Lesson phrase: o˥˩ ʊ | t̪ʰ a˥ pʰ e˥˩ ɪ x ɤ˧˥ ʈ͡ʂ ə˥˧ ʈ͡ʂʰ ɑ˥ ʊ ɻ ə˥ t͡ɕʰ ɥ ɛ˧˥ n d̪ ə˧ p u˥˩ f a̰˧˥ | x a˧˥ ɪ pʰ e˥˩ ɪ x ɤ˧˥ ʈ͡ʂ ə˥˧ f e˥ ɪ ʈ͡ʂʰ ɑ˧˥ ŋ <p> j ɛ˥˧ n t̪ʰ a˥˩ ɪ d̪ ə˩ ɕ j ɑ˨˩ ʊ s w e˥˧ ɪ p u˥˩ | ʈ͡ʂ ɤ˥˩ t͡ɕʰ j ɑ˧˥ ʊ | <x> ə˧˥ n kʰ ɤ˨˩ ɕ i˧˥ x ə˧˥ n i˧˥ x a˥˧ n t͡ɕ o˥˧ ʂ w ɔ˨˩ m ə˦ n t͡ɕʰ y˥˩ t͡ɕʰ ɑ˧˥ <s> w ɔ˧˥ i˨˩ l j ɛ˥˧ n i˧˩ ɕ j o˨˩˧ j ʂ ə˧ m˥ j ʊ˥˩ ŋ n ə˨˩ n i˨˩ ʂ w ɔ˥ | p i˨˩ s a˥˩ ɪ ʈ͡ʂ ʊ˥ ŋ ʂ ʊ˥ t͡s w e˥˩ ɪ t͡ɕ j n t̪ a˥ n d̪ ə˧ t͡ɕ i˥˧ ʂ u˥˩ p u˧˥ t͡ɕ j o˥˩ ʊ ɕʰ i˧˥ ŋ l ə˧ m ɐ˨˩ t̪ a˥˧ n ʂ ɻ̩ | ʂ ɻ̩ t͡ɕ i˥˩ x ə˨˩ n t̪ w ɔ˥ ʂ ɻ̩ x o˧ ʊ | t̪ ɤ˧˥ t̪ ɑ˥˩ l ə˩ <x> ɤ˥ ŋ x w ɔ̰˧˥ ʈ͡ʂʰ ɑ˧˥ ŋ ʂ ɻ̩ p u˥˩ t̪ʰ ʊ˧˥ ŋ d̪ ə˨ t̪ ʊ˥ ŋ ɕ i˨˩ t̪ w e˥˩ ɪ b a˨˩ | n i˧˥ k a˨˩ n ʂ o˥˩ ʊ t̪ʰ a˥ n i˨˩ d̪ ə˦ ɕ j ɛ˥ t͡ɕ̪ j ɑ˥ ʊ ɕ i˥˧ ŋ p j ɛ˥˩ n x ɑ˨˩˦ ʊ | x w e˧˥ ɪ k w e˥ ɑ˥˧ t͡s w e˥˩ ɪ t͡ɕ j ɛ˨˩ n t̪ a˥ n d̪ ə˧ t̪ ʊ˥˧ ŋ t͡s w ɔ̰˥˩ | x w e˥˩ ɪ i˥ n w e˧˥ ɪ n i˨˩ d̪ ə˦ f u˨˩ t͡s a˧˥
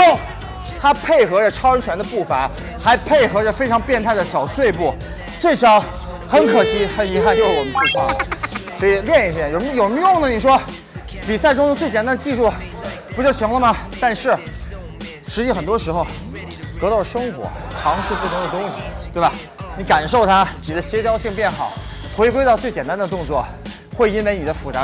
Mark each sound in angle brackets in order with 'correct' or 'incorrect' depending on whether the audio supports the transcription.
correct, correct, correct, incorrect: ʂ

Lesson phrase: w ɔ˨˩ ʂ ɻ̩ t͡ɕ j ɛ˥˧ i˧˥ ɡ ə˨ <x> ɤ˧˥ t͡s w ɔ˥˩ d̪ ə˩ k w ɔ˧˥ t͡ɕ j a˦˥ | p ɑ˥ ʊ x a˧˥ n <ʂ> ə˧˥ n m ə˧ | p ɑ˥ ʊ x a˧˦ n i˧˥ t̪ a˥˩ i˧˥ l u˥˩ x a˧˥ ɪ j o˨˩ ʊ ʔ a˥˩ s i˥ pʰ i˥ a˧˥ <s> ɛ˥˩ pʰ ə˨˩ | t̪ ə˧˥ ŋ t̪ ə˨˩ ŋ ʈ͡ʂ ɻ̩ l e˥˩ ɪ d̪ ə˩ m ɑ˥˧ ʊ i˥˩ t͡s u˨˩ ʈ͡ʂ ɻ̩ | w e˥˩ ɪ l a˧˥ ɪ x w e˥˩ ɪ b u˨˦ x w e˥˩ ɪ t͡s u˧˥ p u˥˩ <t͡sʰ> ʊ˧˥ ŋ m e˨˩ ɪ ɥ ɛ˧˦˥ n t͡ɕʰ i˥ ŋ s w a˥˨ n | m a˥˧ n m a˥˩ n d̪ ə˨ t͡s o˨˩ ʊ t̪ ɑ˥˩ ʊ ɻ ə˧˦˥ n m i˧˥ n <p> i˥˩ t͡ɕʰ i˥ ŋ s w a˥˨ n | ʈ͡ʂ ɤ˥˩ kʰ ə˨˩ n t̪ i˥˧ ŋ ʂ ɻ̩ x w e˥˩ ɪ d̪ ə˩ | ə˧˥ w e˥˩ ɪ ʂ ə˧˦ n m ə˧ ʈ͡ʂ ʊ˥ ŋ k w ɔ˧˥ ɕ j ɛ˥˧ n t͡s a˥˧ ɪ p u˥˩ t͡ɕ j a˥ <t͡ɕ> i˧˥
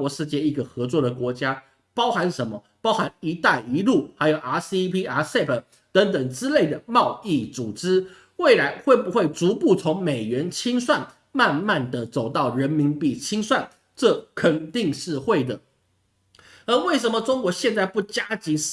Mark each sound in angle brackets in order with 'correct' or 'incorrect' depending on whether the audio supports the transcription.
correct, correct, correct, correct, correct, correct

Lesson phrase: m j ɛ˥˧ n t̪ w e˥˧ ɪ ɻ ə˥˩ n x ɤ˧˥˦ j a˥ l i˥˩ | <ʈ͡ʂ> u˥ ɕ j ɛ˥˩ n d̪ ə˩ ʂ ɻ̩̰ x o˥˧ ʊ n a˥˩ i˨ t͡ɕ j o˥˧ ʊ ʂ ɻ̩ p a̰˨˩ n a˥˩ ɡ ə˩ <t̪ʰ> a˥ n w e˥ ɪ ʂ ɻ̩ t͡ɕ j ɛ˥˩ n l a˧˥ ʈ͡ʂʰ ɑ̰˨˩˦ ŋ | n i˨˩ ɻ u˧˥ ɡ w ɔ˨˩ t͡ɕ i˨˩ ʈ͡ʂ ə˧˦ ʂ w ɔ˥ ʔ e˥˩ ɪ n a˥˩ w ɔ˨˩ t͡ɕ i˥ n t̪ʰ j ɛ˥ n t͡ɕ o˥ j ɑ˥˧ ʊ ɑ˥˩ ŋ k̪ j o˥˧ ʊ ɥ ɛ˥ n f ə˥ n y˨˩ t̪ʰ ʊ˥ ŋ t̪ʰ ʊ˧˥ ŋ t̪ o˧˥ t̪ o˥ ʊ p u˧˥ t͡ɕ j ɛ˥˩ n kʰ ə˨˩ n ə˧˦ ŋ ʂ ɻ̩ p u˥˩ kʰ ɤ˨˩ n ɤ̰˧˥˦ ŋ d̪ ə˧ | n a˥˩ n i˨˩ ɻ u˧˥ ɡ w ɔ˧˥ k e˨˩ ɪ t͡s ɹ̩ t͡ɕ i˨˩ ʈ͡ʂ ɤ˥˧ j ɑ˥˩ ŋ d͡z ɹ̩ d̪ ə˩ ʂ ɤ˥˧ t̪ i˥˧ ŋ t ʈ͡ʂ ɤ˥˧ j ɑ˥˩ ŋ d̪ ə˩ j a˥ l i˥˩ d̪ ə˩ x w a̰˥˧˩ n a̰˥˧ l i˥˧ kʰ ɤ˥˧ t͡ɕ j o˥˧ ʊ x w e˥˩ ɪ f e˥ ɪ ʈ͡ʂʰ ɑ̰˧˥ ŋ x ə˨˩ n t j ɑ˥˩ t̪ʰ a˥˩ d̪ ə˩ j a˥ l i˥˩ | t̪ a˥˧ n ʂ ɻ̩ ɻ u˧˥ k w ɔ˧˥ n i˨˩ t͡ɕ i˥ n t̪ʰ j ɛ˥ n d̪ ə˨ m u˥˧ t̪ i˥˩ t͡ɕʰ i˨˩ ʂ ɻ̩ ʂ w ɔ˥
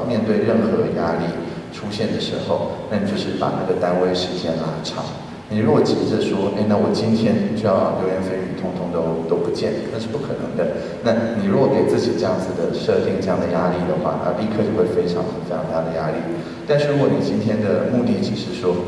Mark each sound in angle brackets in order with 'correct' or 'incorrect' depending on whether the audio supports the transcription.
incorrect: ʈ͡ʂʰ, incorrect: t̪

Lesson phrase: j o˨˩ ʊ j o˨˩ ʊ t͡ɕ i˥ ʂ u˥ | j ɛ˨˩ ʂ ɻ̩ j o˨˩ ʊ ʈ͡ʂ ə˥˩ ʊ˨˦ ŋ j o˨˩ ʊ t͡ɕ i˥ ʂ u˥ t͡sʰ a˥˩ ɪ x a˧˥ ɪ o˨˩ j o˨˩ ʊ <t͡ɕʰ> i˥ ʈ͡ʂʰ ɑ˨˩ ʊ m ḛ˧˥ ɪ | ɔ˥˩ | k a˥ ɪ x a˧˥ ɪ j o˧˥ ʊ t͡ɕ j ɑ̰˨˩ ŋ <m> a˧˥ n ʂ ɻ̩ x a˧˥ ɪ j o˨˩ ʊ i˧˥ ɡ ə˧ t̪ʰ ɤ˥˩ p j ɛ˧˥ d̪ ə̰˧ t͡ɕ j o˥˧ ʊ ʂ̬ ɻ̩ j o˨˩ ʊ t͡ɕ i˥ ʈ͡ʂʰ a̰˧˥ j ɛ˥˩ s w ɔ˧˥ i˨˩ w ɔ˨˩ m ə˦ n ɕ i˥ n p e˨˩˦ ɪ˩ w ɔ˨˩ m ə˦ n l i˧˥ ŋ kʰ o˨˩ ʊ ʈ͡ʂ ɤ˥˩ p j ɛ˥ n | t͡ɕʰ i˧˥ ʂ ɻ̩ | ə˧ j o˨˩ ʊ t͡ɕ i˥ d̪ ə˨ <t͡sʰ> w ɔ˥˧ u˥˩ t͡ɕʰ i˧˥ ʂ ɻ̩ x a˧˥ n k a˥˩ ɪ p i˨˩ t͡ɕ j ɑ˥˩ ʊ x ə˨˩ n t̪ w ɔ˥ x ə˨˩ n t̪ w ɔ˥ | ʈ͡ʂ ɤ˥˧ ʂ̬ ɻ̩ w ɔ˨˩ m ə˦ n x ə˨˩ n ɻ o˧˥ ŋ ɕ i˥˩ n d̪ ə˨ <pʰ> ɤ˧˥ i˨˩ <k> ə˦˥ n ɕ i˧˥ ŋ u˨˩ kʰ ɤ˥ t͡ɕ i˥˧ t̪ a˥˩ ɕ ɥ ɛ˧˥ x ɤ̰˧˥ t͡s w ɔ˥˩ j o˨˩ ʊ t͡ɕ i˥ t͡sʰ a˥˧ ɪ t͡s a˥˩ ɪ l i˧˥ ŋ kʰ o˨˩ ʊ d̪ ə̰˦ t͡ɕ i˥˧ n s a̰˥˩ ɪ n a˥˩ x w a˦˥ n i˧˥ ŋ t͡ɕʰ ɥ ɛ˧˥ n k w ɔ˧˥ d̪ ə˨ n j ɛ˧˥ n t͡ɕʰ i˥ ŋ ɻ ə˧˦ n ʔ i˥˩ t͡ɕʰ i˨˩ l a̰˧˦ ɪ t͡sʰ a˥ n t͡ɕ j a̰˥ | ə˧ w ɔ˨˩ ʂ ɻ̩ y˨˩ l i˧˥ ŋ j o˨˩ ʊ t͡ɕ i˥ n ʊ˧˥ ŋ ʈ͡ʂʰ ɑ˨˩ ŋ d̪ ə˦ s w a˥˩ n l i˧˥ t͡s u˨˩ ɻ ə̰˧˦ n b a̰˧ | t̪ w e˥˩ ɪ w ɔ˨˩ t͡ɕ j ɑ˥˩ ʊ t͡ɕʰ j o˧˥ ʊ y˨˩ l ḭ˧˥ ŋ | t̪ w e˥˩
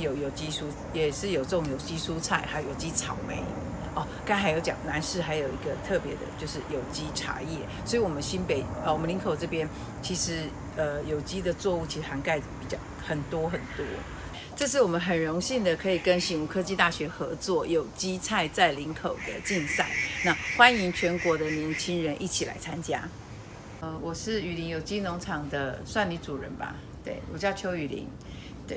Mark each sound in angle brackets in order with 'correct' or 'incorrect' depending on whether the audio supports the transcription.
incorrect: t͡ɕ, incorrect: n, incorrect: t͡s, incorrect: kʰ, correct

